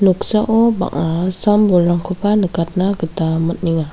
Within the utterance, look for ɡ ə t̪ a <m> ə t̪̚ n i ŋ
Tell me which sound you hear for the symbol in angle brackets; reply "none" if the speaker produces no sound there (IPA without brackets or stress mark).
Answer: m